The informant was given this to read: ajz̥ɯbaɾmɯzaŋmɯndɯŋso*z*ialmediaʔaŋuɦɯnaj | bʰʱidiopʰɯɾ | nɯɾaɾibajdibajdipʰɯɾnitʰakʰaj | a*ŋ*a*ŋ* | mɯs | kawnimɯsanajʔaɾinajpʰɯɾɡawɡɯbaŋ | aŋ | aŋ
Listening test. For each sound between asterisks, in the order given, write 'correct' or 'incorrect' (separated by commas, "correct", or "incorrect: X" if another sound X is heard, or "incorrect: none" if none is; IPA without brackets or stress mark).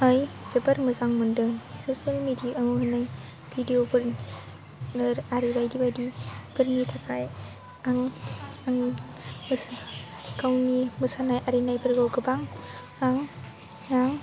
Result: incorrect: s, correct, correct